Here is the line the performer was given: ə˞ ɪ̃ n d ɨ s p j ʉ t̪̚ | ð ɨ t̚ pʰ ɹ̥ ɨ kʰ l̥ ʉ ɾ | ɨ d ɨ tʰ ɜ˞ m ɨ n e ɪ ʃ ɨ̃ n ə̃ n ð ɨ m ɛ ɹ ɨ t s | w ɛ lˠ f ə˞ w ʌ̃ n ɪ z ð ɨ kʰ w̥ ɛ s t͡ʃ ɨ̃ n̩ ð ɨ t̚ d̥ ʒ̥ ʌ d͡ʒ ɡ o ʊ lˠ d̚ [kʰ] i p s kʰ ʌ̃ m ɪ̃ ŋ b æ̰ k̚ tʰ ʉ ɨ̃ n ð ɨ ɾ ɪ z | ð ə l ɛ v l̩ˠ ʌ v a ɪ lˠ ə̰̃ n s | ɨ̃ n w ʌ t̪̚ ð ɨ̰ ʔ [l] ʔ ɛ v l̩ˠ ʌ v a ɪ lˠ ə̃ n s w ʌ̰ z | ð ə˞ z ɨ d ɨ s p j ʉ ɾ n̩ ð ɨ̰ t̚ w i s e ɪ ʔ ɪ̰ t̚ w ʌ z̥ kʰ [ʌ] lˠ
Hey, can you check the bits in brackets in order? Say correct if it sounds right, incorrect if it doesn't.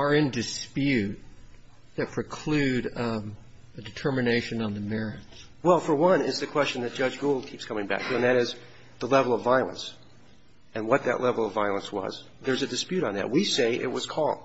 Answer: correct, correct, incorrect: ɔ

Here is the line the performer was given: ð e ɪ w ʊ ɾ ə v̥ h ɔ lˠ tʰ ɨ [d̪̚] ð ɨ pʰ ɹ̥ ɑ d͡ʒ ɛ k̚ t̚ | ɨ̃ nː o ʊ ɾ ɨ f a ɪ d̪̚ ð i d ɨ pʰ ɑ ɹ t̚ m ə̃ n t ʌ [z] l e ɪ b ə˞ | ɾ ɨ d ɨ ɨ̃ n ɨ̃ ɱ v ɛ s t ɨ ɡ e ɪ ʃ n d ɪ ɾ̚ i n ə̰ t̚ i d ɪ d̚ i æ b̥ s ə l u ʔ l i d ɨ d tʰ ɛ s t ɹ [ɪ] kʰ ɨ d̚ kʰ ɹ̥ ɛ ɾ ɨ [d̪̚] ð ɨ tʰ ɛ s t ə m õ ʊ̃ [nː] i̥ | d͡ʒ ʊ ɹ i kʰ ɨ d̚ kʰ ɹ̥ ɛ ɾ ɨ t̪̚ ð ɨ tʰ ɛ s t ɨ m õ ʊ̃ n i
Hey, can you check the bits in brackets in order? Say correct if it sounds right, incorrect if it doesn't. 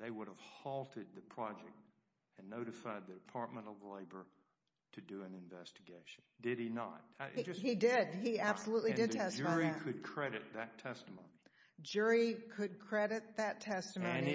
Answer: correct, incorrect: v, incorrect: i, incorrect: t̪̚, incorrect: n

